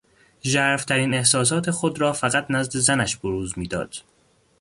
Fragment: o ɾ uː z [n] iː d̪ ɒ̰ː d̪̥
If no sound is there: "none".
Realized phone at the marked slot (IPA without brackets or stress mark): m